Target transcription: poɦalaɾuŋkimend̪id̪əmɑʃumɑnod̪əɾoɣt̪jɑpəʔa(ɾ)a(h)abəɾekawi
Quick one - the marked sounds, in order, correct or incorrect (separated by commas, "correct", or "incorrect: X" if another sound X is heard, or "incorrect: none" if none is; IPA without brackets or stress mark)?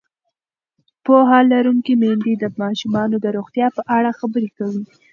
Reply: incorrect: ɽ, incorrect: x